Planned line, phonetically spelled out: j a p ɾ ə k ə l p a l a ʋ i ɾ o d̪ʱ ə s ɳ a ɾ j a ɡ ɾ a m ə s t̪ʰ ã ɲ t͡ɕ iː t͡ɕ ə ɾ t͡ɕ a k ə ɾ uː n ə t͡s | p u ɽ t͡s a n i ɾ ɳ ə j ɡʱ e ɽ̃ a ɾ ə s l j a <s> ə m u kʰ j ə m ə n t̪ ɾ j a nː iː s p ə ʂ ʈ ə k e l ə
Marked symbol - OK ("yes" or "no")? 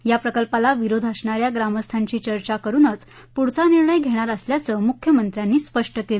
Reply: no